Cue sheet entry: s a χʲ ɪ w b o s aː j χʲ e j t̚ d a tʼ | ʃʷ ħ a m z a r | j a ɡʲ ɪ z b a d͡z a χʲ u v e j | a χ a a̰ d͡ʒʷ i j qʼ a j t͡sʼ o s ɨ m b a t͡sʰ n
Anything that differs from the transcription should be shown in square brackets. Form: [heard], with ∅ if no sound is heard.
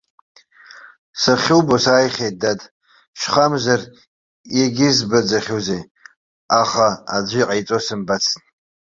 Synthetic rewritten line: s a χʲ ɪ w b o s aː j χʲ e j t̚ d a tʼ | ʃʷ [χ] a m z a r | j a ɡʲ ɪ z b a d͡z a χʲ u [z] e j | a χ a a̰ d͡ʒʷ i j qʼ a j t͡sʼ o s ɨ m b a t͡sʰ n